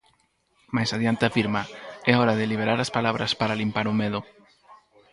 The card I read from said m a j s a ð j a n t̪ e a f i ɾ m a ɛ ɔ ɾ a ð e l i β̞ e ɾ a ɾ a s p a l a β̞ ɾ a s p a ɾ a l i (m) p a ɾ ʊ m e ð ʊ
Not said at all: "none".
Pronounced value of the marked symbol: m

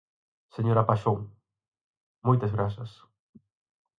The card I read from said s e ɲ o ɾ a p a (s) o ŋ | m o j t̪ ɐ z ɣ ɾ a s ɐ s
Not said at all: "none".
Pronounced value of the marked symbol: ʃ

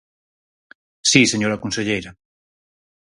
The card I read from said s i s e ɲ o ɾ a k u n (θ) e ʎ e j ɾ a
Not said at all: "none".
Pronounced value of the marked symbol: s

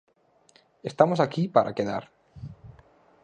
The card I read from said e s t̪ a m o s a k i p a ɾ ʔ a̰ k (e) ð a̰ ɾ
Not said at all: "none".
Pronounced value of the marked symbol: e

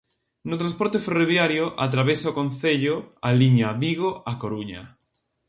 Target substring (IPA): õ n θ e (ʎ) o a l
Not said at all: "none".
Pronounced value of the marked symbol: ʎ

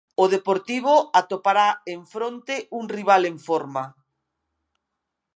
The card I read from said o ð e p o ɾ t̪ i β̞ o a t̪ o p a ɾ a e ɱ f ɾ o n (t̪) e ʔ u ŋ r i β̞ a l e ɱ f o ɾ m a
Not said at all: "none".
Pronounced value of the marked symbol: t̪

